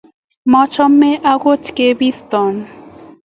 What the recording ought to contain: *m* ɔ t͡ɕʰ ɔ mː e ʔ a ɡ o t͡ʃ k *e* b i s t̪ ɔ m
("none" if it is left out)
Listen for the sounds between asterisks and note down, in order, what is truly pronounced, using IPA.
m, e

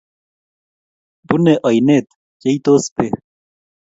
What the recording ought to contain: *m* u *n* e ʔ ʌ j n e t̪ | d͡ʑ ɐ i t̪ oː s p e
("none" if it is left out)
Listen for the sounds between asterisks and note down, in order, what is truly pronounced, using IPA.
b, n

